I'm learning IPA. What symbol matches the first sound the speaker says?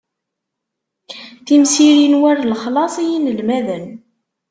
θ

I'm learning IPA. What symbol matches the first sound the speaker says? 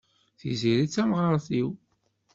θ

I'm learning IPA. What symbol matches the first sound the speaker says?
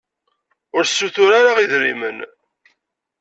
ʊ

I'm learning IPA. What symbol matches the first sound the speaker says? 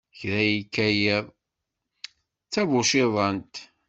ç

